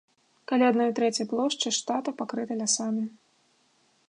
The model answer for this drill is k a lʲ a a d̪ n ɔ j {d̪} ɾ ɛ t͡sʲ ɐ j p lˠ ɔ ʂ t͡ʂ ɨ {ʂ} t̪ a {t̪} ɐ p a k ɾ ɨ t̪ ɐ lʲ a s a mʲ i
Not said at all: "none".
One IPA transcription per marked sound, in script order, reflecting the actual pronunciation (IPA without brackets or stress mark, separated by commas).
t̪, ʂ, t̪